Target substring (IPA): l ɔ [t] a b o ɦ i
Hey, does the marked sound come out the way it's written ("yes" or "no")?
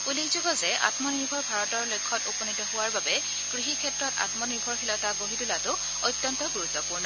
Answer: yes